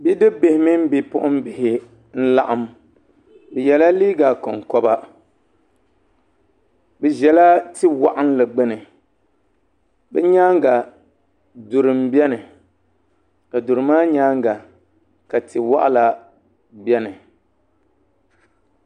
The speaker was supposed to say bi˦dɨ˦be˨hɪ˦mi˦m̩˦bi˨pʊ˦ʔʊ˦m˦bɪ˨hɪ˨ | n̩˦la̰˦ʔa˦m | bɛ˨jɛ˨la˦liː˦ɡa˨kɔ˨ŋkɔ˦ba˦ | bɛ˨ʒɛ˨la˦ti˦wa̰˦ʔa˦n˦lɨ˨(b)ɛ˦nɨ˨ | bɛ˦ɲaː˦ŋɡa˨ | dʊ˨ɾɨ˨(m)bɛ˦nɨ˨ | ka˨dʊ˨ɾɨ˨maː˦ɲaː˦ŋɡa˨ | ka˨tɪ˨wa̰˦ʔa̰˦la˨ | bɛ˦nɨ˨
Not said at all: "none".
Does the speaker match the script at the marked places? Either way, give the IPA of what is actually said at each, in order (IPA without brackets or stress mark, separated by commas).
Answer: ɡ͡b, m